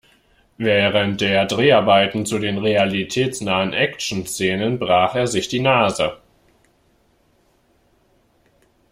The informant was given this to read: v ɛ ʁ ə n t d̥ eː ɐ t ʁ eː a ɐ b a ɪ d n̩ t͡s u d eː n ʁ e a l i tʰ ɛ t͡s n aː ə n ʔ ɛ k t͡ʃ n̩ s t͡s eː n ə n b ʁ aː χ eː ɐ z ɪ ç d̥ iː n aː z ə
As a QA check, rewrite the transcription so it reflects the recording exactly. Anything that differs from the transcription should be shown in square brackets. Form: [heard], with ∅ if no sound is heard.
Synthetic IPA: v [ɛː] ʁ ə n t d̥ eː ɐ [d] ʁ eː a ɐ b a ɪ [t] n̩ t͡s u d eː n ʁ e a l i tʰ [ɛː] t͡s n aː ə n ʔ ɛ k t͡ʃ n̩ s t͡s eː n ə n b ʁ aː χ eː ɐ z ɪ ç d̥ iː n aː z ə